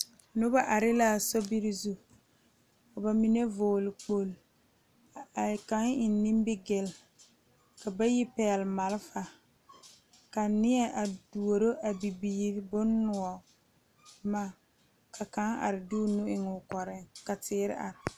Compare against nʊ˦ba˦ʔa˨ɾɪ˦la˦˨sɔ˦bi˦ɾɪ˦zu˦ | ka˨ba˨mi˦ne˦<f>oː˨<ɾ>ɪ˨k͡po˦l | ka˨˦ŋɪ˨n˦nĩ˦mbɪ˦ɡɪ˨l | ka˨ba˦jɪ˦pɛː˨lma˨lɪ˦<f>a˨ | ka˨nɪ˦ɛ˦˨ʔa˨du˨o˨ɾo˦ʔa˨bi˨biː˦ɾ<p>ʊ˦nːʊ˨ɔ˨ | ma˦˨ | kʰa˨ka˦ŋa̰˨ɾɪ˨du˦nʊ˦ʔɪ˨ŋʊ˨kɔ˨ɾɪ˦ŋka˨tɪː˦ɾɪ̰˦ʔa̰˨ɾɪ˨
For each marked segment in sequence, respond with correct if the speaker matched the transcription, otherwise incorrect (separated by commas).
incorrect, incorrect, correct, incorrect